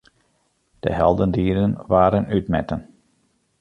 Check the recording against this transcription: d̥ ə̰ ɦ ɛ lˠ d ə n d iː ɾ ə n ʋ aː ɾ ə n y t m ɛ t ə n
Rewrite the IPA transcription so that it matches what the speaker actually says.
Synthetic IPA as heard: d̥ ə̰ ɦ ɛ lˠ d ə n d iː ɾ ə n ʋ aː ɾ ə n y t m ɛ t ə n

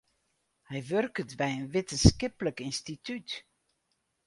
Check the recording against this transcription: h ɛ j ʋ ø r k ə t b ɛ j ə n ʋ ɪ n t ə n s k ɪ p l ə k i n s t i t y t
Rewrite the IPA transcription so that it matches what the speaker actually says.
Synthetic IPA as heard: h ɛ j ʋ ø r k ə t b ɛ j ə n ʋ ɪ t ə n s k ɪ p l ə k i n s t i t y t

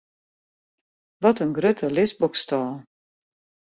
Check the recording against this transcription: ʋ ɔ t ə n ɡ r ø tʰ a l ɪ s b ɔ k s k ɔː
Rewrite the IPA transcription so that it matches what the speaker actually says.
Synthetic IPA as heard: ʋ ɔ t ə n ɡ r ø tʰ ə l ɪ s b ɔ k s t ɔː

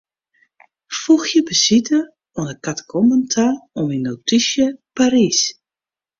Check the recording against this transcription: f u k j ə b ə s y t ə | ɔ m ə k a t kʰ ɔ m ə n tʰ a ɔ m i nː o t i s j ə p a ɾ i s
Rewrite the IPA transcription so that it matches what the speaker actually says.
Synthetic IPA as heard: f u x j ə b ə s i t ə | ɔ n ə k a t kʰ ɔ m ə n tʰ a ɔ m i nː o t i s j ə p a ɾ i s

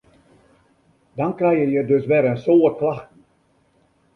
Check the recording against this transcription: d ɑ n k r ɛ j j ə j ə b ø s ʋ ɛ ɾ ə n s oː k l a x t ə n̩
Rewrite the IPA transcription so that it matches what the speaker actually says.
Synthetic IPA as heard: d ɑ n k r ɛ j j ə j ə d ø s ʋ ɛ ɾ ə n s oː k l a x t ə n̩

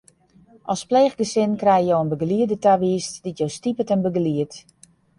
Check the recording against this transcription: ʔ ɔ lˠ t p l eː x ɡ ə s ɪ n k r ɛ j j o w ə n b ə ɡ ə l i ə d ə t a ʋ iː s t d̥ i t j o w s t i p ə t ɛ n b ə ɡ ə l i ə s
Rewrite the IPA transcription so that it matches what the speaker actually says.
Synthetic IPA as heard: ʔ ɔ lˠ s p l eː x ɡ ə s ɪ n k r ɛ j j o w ə n b ə ɡ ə l i ə d ə t a ʋ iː s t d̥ i t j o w s t i p ə t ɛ n b ə ɡ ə l i ə t

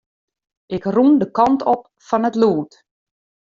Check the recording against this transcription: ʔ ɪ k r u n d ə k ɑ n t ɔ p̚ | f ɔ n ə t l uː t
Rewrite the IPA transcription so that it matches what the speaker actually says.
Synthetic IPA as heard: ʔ ɪ k r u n d ə k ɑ n t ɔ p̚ | f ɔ n ə t l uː t

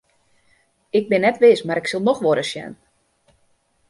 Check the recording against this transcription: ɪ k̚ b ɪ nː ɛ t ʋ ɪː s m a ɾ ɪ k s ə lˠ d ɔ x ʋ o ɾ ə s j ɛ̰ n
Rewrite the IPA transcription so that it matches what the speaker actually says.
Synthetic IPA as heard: ɪ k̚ b ɪ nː ɛ t ʋ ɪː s m a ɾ ɪ k s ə lˠ n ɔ x ʋ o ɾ ə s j ɛ̰ n

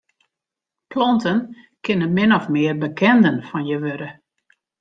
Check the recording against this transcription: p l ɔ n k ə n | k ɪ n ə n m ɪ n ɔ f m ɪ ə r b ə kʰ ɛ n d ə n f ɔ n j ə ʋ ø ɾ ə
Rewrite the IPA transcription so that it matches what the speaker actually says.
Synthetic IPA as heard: p l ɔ n t ə n | k ɪ n ə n m ɪ n ɔ f m ɪ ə r b ə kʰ ɛ n d ə n f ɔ n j ə ʋ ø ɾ ə

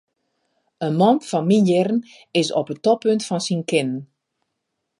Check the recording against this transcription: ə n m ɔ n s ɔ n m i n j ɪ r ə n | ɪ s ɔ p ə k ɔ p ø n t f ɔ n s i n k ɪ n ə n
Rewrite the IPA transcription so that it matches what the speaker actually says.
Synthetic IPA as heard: ə n m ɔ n f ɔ n m i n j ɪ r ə n | ɪ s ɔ p ə t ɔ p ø n t f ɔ n s i n k ɪ n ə n

